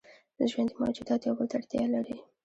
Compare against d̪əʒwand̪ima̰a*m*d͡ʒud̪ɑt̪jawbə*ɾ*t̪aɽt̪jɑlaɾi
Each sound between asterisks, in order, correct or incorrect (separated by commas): incorrect, incorrect